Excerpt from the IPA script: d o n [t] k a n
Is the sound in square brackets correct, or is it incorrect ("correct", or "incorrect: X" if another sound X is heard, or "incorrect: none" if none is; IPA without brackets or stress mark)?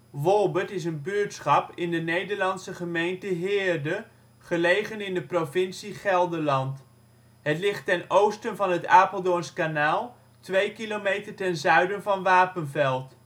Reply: incorrect: s